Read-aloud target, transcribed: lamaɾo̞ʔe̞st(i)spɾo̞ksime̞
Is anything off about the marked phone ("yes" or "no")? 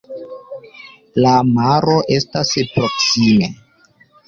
yes